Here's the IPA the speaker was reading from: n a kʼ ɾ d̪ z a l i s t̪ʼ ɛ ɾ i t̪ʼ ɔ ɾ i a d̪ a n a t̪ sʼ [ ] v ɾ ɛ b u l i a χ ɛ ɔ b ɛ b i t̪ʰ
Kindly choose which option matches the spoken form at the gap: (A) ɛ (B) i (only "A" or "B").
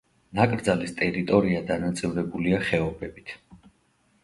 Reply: B